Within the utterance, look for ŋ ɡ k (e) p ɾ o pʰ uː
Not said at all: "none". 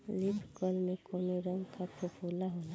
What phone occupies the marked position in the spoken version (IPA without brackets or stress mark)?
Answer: a